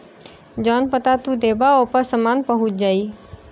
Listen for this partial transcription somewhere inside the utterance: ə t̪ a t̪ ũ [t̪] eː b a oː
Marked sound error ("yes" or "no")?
yes